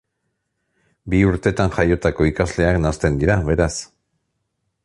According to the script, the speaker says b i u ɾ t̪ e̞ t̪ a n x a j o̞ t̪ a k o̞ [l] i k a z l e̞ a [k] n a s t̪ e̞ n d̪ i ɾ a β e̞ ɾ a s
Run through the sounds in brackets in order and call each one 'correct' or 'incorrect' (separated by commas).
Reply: incorrect, correct